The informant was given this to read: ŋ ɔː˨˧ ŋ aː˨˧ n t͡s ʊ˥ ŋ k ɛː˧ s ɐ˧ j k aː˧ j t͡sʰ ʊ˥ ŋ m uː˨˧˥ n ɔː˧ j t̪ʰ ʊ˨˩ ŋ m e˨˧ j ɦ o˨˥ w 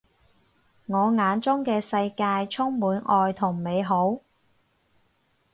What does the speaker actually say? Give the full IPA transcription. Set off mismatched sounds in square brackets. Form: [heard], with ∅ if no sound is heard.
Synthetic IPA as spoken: ŋ ɔː˨˧ ŋ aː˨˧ n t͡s ʊ˥ ŋ k ɛː˧ s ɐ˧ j k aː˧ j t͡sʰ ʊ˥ ŋ m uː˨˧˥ n ɔː˧ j t̪ʰ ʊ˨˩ ŋ m e˨˧ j ɦ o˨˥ w